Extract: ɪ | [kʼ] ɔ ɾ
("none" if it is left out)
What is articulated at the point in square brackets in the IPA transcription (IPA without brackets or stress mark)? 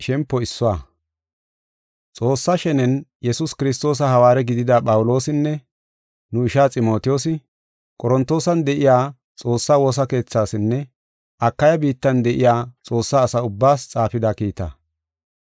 kʼ